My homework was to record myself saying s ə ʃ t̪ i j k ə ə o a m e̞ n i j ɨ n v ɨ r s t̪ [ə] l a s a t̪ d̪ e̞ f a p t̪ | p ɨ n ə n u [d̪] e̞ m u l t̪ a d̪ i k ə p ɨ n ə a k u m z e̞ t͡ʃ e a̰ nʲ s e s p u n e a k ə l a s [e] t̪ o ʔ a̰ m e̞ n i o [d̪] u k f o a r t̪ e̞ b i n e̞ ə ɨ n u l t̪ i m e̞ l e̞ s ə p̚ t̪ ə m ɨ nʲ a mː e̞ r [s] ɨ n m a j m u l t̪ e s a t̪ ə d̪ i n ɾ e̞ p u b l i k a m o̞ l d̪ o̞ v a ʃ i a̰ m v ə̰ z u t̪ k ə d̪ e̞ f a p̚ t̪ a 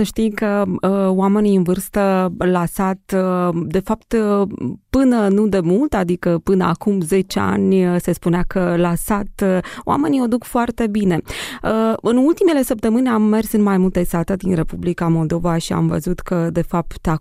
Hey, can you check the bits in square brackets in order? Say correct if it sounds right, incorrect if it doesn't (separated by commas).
correct, correct, incorrect, correct, correct